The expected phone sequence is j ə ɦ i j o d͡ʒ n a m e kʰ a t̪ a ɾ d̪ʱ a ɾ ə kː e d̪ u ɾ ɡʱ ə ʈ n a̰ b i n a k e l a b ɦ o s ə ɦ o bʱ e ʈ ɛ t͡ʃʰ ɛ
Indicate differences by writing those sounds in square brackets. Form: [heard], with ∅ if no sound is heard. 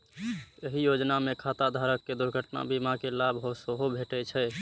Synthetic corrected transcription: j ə ɦ i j o d͡ʒ n a m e kʰ a t̪ a [∅] d̪ʱ a ɾ ə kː e d̪ u ɾ ɡʱ ə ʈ n a̰ b i [m] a k e l a b ɦ o s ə ɦ o bʱ e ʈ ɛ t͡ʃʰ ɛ